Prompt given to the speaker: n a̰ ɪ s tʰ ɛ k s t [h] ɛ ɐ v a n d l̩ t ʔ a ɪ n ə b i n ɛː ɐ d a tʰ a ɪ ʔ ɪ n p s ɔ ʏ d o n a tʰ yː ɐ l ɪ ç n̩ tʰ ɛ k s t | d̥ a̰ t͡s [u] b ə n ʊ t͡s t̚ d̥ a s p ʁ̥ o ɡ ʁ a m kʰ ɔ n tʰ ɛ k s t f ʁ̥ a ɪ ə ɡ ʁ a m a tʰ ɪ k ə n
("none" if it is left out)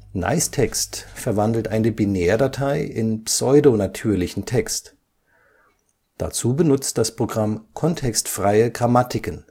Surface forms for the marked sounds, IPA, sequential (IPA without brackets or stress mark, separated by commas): f, uː